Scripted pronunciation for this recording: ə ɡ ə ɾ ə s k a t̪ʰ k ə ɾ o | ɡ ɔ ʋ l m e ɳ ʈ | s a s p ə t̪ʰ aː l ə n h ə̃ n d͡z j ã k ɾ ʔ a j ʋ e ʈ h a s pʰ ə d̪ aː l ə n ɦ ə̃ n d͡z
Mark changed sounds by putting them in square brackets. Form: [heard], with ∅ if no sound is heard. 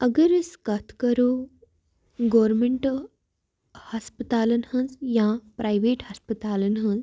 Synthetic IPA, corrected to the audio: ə ɡ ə ɾ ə s k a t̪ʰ k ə ɾ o | ɡ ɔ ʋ [ɾ] m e ɳ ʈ | [h] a s p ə [t̪] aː l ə n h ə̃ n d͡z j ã [p] ɾ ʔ a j ʋ e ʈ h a s [p] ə [t̪] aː l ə n ɦ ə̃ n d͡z